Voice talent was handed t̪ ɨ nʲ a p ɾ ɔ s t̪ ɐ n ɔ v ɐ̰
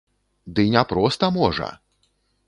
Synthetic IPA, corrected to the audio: d̪ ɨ nʲ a p ɾ ɔ s t̪ ɐ m ɔ ʐ ɐ̰